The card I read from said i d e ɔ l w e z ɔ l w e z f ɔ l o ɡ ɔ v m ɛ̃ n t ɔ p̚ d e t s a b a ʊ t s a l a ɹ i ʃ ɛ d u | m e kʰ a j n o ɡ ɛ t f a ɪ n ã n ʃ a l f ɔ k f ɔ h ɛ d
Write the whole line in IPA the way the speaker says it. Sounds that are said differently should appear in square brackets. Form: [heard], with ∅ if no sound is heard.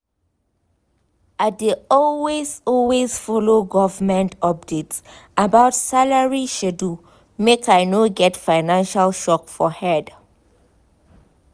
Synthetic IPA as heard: [a] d e ɔ l w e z ɔ l w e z f ɔ l o ɡ ɔ v m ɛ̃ n t ɔ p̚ d e t s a b a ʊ t s a l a ɹ i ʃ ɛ d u | m e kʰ a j n o ɡ ɛ t f a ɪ n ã n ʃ a l [ʃ] ɔ k f ɔ h ɛ d